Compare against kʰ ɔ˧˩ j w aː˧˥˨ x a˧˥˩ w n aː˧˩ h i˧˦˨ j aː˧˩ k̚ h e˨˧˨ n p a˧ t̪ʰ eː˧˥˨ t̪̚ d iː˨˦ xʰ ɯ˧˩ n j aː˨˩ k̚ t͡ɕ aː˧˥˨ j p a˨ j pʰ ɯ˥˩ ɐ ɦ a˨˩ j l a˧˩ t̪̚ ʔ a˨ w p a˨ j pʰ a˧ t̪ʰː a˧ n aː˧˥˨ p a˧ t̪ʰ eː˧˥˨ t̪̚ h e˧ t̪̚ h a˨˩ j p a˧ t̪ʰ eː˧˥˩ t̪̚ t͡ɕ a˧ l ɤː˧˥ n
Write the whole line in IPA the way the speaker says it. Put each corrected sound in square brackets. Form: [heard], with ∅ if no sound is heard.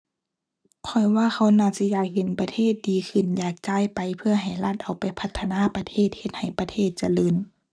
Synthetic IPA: kʰ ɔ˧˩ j w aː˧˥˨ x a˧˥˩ w n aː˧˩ [s] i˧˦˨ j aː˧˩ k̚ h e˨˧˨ n p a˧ t̪ʰ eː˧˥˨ t̪̚ d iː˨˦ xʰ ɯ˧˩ n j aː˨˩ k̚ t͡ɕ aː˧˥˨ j p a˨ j pʰ [ɯ˧] ɐ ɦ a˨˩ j l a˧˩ t̪̚ ʔ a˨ w p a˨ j pʰ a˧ t̪ʰː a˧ n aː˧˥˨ p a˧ t̪ʰ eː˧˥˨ t̪̚ h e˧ t̪̚ h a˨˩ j p a˧ t̪ʰ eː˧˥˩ t̪̚ t͡ɕ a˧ l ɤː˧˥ n